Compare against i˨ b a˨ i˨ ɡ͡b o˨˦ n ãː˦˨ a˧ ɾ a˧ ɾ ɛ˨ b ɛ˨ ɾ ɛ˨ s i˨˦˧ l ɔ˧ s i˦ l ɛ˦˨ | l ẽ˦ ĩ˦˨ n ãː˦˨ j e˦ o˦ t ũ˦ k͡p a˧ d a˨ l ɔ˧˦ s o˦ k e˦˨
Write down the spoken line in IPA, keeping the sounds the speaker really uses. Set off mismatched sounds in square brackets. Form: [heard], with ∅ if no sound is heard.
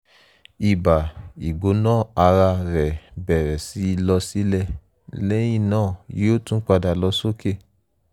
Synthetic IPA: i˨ b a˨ i˨ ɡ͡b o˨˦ n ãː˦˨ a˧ ɾ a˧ ɾ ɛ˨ b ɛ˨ ɾ ɛ˨ s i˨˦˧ l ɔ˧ s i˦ l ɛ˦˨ | l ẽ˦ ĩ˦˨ n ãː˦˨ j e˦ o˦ t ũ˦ k͡p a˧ d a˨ l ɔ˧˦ s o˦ k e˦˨